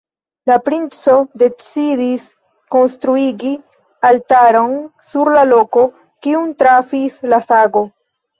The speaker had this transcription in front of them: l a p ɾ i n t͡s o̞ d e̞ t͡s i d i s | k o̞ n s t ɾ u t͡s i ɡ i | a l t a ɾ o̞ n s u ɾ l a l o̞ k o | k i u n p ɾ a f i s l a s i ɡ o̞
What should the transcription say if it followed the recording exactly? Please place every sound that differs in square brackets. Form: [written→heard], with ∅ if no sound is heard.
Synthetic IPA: l a p ɾ i n t͡s o̞ d e̞ t͡s i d i s | k o̞ n s t ɾ u [t͡s→∅] i ɡ i | a l t a ɾ o̞ n s u ɾ l a l o̞ k o | k i u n [p→t] ɾ a f i s l a s [i→a] ɡ o̞